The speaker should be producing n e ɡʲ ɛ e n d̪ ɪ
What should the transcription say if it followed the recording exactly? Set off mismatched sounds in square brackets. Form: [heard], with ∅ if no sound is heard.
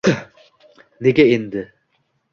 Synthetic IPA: n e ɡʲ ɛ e n d̪ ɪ